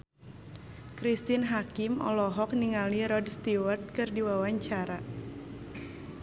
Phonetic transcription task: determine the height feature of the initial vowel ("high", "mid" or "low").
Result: high